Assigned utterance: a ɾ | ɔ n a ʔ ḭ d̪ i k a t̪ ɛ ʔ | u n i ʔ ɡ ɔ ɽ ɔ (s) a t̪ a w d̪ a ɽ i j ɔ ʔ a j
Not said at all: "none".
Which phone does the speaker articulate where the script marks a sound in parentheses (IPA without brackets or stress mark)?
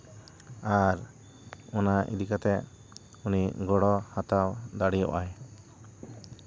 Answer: h